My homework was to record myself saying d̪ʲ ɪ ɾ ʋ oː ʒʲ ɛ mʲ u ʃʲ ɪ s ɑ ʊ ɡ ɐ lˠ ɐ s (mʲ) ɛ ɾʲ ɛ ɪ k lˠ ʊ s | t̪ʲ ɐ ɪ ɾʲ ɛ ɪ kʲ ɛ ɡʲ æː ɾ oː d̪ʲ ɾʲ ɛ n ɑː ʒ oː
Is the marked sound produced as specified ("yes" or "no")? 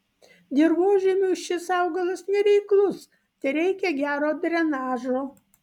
no